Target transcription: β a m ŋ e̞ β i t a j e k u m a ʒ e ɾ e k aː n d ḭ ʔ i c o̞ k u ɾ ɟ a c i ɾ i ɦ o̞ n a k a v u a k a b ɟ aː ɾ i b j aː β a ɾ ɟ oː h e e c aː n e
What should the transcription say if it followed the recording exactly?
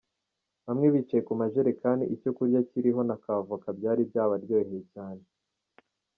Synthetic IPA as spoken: β a m ŋ e̞ β i t͡ʃ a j e k u m a ʒ e ɾ e k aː n d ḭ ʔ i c o̞ k u ɾ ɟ a c i ɾ i ɦ o̞ n a k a v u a k a b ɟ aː ɾ i b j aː β a ɾ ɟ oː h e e c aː n e